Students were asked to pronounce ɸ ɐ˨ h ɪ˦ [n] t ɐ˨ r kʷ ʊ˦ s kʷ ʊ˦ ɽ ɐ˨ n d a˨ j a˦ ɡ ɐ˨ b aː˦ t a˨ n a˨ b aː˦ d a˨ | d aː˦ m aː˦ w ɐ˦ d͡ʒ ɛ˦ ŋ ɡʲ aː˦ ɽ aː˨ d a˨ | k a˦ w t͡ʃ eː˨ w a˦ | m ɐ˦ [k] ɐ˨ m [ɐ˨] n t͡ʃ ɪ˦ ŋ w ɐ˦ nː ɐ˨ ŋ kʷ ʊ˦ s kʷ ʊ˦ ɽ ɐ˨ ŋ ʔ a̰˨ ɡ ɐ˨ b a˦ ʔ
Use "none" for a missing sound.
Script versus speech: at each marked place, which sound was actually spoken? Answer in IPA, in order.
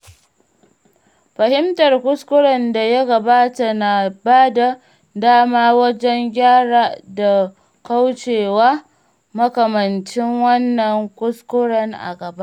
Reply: m, k, ɐ˨

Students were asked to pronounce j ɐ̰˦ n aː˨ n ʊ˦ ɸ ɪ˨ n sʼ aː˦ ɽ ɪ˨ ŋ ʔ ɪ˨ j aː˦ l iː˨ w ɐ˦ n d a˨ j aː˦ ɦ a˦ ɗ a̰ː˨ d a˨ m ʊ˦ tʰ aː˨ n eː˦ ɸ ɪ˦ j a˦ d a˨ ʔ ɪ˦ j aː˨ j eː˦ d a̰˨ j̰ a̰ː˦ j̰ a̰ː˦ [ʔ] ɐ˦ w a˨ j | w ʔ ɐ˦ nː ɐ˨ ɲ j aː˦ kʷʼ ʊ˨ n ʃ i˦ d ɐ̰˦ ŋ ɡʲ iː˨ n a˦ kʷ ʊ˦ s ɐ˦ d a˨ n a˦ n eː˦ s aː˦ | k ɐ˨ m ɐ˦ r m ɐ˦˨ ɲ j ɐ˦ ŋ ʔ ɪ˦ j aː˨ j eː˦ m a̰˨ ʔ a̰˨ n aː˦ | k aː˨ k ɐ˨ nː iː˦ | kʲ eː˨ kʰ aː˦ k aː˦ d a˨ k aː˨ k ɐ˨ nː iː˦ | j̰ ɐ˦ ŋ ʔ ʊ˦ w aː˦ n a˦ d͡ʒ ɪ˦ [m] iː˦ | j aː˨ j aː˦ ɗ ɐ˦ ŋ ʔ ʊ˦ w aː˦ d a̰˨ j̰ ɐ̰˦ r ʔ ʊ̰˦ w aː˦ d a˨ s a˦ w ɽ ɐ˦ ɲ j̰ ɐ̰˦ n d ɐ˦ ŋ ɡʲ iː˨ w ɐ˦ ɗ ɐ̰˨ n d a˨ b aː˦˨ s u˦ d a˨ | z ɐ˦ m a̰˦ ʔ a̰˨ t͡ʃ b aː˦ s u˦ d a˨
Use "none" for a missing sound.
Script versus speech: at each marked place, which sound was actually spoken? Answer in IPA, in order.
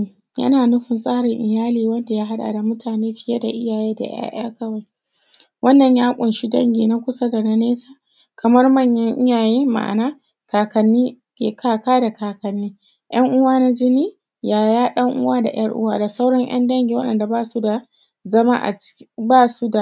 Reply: k, n

